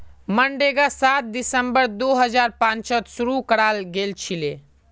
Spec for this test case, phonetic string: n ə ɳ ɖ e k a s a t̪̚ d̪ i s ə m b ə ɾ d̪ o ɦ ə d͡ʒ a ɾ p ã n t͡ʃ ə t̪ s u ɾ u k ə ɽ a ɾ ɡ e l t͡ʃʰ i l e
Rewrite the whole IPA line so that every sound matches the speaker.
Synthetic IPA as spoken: m ə ɳ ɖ e ɡ a s a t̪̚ d̪ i s ə m b ə ɾ d̪ o ɦ ə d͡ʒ a ɾ p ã n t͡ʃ ə t̪ s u ɾ u k ə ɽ a l ɡ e l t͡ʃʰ i l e